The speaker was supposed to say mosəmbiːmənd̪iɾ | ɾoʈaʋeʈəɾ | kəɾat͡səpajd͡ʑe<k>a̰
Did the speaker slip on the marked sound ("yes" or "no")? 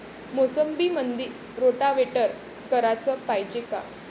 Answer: no